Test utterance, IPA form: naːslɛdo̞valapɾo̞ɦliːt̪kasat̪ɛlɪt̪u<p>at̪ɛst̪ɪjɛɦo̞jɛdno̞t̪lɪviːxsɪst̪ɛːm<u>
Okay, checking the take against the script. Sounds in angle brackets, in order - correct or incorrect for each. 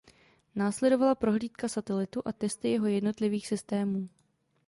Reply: incorrect: ʔ, incorrect: uː

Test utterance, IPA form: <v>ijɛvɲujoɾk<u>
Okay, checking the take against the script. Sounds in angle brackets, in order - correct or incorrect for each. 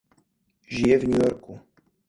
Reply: incorrect: ʒ, correct

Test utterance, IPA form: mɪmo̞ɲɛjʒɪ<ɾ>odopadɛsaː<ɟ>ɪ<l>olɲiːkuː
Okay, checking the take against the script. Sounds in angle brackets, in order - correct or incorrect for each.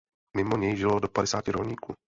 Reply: incorrect: l, incorrect: c, incorrect: ɾ

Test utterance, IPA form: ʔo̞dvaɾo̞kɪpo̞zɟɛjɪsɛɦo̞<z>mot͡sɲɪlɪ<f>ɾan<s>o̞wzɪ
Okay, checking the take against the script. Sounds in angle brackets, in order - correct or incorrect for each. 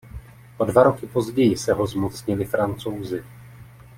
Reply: correct, correct, incorrect: t͡s

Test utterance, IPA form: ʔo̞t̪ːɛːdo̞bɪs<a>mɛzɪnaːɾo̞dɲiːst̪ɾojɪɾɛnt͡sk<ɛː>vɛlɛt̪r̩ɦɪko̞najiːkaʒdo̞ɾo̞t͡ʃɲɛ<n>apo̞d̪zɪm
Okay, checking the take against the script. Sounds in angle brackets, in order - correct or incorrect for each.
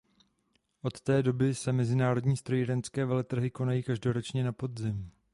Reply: incorrect: ɛ, correct, correct

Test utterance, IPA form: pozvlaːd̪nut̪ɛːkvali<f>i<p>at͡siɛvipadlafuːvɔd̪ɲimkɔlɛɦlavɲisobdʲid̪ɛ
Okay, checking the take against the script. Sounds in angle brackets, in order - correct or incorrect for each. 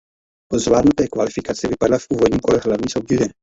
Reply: correct, incorrect: k

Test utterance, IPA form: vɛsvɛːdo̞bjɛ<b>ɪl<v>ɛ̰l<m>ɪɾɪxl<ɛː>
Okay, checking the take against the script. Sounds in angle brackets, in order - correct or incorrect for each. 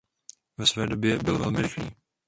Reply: correct, correct, correct, incorrect: iː

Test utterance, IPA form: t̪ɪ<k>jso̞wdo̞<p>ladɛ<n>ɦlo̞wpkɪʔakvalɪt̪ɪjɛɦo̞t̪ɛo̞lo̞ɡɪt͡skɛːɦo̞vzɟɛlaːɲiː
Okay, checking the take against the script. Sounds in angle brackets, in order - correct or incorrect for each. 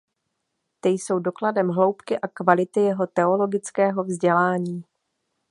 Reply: incorrect: none, incorrect: k, incorrect: m

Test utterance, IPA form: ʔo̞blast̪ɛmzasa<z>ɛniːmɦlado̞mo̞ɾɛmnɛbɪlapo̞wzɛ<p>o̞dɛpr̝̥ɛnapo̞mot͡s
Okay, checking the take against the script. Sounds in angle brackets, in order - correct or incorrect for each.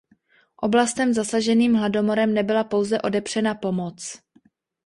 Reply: incorrect: ʒ, incorrect: ʔ

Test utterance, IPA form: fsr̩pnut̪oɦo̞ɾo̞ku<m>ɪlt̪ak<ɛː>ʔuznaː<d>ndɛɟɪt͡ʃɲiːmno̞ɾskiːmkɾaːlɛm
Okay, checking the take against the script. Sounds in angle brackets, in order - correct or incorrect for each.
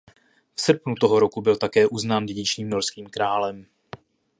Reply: incorrect: b, correct, incorrect: none

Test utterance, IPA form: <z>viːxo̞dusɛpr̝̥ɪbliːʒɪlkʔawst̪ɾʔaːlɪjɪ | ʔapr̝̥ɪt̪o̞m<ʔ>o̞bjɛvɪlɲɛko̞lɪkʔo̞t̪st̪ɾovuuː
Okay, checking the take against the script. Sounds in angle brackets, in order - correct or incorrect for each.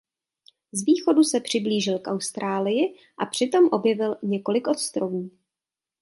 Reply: correct, correct

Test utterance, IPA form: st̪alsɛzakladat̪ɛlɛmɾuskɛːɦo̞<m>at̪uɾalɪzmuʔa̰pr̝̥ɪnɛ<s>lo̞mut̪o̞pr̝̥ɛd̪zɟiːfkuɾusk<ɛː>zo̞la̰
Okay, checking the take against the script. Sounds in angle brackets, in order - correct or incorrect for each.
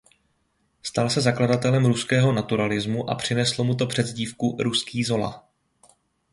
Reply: incorrect: n, correct, incorrect: iː

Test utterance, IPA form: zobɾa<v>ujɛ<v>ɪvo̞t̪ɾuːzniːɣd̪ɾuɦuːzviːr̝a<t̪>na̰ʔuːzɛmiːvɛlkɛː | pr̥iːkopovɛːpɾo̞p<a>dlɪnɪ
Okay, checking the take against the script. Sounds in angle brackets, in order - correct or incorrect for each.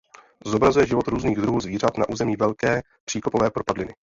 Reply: incorrect: z, incorrect: ʒ, correct, correct

